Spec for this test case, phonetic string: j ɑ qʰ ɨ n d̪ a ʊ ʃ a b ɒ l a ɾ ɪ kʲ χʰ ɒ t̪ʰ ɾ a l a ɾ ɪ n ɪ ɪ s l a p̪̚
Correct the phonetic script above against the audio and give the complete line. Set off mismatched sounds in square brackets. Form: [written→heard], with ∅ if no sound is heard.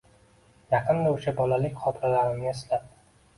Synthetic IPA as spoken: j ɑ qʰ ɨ n d̪ a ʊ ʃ a b ɒ l a [ɾ→l] ɪ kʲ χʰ ɒ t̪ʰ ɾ a l a ɾ ɪ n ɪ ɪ s l a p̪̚